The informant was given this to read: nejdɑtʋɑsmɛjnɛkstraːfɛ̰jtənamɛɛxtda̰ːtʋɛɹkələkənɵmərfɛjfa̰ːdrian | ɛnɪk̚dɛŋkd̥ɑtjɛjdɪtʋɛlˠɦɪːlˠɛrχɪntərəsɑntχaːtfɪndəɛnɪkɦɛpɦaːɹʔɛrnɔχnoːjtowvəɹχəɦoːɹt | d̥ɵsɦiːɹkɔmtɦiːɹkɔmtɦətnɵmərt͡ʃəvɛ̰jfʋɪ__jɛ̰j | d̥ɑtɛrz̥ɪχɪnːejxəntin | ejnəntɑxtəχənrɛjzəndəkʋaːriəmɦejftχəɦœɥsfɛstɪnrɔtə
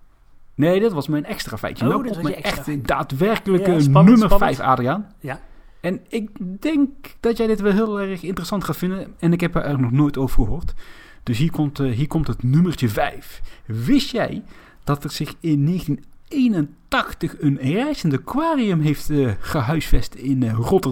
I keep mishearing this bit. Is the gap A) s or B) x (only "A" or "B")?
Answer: A